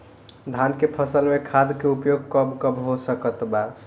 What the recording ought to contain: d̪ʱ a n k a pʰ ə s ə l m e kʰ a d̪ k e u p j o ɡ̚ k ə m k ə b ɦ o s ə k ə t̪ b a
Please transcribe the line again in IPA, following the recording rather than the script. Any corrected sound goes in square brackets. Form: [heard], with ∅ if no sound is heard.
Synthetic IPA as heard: d̪ʱ a n k [e] pʰ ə s ə l m e kʰ a d̪ k e u p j o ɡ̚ k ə [b] k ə b ɦ o s ə k ə t̪ b a